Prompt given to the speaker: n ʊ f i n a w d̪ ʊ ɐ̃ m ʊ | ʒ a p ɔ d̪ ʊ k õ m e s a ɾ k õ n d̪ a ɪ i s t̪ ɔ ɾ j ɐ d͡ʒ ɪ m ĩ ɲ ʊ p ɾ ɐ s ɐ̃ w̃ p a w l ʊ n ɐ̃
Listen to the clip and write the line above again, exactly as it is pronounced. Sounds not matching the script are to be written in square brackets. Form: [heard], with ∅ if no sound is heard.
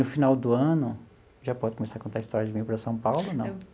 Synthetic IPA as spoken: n ʊ f i n a w d̪ ʊ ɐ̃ [n] ʊ | ʒ a p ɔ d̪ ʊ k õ m e s a ɾ k õ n [t̪] a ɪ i s t̪ ɔ ɾ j ɐ d͡ʒ ɪ m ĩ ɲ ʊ p ɾ ɐ s ɐ̃ w̃ p a w l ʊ n ɐ̃